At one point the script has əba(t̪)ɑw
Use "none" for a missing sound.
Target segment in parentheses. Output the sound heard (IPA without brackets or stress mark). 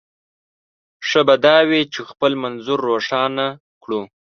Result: d̪